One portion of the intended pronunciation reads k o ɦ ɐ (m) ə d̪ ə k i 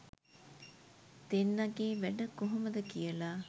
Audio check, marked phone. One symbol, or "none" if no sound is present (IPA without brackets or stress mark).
m